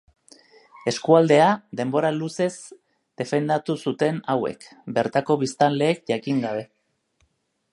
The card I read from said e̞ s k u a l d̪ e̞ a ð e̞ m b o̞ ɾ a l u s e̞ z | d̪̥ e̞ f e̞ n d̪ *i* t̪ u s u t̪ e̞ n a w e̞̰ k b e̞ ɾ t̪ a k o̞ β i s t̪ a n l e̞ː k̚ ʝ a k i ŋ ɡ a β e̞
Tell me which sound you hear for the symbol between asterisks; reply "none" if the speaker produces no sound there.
a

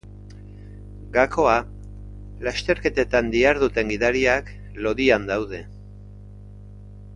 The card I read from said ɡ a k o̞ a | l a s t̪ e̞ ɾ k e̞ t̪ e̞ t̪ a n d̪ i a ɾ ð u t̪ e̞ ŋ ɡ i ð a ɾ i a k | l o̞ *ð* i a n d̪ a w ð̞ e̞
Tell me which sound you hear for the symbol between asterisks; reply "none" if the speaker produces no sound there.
ð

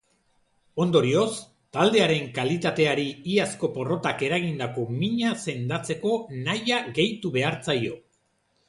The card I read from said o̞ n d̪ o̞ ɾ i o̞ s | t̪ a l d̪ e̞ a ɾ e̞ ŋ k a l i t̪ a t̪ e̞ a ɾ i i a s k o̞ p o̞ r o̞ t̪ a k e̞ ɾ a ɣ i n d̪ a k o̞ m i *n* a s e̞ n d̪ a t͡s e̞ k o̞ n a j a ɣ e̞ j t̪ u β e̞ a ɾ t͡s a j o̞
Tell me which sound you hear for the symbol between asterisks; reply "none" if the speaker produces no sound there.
ɲ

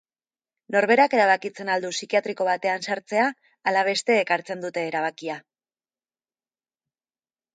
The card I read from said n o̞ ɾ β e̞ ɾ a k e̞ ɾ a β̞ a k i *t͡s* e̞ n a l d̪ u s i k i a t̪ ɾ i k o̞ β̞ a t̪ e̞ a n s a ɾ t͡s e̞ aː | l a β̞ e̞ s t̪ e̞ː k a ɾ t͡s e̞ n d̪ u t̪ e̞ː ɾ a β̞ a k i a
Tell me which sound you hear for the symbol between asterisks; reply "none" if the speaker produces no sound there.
t͡s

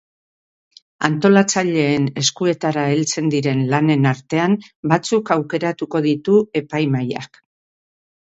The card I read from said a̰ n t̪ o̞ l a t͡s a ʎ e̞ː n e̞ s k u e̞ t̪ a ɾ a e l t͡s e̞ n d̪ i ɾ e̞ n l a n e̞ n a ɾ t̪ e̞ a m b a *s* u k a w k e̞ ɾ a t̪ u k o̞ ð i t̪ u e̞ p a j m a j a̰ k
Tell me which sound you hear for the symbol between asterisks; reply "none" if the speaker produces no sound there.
t͡s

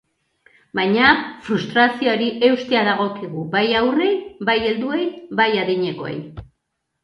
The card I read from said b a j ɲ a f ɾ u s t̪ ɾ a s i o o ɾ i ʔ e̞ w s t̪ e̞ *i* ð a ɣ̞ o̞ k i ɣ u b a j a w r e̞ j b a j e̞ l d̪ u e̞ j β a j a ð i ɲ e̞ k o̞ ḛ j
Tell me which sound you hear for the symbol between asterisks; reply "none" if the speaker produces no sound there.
a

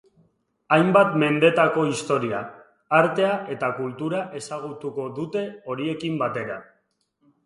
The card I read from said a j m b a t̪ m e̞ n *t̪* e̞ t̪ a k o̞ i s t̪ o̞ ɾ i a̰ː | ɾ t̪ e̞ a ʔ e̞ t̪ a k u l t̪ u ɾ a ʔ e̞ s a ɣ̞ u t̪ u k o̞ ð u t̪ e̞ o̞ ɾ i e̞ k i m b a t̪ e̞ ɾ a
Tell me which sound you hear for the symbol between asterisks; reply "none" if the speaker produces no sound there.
d̪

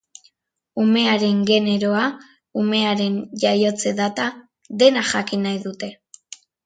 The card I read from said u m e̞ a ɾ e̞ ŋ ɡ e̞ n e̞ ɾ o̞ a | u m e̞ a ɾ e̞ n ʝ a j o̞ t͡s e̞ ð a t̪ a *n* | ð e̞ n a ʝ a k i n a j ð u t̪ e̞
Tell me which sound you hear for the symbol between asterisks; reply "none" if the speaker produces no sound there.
none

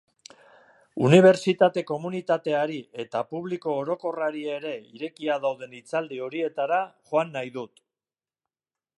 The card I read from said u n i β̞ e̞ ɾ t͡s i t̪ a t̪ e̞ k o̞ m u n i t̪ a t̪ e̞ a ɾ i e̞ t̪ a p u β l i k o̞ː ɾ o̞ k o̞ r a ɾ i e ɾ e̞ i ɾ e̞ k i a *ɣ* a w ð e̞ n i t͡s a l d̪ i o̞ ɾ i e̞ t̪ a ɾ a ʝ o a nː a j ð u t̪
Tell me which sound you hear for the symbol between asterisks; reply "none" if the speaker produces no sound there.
ð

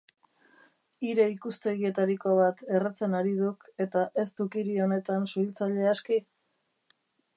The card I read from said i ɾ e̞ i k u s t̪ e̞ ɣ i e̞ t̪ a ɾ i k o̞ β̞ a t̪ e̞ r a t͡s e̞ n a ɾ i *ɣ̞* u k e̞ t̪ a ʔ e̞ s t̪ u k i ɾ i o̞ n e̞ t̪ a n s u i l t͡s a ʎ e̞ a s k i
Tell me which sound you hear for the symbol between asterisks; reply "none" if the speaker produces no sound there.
ð̞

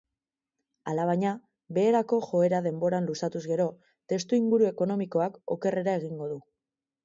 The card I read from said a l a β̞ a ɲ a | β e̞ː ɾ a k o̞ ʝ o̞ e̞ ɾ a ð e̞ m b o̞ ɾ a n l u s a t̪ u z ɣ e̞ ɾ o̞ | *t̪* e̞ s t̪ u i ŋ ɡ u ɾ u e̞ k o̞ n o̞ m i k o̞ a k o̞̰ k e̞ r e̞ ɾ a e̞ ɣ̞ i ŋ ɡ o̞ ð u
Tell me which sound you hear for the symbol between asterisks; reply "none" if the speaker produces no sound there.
t̪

